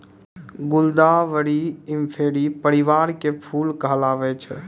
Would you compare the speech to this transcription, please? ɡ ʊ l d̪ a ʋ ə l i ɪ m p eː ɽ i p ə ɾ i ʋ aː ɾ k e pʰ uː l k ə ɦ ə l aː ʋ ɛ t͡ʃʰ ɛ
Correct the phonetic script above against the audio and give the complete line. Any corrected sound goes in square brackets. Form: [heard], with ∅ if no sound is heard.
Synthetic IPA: ɡ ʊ l d̪ a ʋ ə [ɽ] i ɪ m [pʰ] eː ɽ i p ə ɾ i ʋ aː ɾ k e pʰ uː l k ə ɦ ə l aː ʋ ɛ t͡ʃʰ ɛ